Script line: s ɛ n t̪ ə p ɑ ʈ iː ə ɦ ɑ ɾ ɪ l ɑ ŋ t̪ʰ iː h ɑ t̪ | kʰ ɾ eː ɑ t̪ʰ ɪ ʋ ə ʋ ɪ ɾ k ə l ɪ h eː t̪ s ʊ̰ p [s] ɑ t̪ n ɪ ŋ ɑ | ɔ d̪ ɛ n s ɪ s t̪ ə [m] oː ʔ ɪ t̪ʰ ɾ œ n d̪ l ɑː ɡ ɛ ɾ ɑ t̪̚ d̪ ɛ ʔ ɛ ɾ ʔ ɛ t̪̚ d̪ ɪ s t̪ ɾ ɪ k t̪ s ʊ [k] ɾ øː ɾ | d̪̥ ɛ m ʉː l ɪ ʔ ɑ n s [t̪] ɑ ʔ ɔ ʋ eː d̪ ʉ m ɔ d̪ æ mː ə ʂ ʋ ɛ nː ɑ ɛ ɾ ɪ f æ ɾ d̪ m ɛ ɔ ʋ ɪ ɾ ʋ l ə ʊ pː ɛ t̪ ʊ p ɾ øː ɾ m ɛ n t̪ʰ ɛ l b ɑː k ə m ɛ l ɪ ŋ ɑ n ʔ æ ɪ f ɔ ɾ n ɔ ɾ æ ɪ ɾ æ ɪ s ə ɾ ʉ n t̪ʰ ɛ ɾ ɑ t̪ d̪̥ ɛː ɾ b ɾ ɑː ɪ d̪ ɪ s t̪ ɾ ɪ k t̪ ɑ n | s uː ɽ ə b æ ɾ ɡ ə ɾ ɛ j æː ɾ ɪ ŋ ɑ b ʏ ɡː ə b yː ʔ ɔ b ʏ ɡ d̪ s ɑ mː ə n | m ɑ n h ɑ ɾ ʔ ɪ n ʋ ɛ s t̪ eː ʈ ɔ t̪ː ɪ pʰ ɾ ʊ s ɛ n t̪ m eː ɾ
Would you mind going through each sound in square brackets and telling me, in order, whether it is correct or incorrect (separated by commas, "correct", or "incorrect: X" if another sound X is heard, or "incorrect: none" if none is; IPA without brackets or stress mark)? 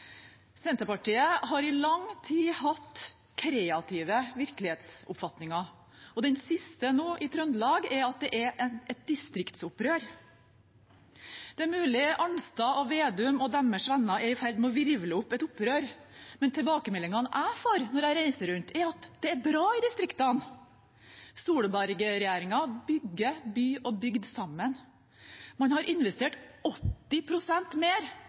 incorrect: f, incorrect: n, incorrect: p, correct